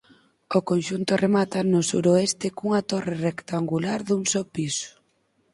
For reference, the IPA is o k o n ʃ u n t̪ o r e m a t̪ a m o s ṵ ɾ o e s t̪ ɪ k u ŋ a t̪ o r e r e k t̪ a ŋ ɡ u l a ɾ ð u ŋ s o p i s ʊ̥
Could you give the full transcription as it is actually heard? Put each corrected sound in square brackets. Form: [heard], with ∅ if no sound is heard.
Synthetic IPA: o k o n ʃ u n t̪ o r e m a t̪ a [n] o s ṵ ɾ o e s t̪ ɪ k u ŋ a t̪ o r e r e k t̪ a ŋ ɡ u l a ɾ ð u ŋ s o p i s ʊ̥